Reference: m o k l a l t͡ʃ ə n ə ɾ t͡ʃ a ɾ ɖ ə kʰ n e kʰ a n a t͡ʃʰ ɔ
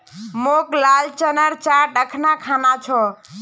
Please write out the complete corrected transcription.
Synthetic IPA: m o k l a l t͡ʃ ə n ə ɾ t͡ʃ a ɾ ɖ ə kʰ n a kʰ a n a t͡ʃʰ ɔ